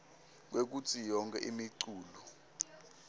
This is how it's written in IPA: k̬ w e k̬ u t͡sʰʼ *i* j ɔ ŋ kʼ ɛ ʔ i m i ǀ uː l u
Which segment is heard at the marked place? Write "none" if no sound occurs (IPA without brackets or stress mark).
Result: i